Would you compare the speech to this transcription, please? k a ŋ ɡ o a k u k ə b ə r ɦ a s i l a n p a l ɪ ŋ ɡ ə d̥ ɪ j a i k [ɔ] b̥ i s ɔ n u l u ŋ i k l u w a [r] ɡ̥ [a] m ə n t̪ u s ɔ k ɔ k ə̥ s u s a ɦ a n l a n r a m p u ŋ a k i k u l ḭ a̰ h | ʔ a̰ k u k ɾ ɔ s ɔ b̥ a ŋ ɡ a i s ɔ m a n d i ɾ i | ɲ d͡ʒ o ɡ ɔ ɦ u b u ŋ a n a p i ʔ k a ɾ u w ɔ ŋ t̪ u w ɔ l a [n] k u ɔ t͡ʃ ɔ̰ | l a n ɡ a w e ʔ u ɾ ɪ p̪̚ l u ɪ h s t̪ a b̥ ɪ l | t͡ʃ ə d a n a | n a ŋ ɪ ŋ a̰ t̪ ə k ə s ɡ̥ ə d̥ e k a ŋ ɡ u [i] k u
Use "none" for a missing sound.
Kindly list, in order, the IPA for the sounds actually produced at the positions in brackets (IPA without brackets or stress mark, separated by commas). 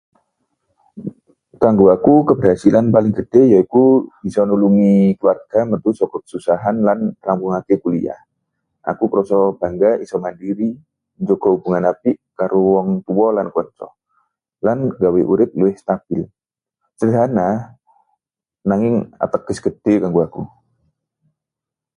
u, r, a, n, a